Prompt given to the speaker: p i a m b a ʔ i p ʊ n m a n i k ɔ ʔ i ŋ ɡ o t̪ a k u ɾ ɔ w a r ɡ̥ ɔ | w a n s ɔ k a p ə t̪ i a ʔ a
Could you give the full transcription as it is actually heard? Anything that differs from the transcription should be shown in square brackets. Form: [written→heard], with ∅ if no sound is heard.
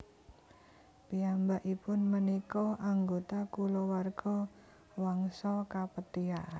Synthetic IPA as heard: p i a m b a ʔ i p ʊ n m [a→ə] n i k ɔ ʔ [i→a] ŋ ɡ o t̪ a k u [ɾ→l] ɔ w a r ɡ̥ ɔ | w a [n→ŋ] s ɔ k a p ə t̪ i a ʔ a